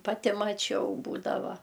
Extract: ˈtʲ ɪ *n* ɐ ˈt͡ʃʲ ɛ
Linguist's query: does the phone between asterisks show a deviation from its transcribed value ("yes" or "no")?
yes